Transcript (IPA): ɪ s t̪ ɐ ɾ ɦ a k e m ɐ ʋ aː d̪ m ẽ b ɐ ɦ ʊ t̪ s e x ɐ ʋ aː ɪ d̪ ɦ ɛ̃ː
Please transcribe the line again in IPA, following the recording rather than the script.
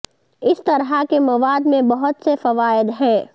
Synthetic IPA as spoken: ɪ s t̪ ɐ ɾ ɦ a k e m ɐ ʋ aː d̪ m ẽ b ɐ ɦ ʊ t̪ s e f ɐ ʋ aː ɪ d̪ ɦ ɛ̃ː